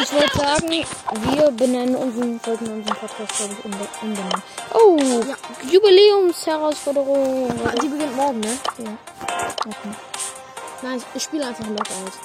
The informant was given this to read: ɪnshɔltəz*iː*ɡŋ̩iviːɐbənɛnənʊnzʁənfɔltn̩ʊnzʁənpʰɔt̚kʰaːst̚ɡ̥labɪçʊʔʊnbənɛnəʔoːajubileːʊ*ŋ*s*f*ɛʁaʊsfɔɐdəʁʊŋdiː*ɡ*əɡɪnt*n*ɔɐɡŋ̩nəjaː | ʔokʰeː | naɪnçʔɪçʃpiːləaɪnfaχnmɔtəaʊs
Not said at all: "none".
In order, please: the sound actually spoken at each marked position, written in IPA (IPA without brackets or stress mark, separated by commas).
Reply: aː, m, h, b, m